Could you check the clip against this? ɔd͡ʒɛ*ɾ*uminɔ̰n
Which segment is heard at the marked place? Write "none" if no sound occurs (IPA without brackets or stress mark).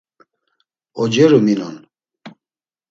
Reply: ɾ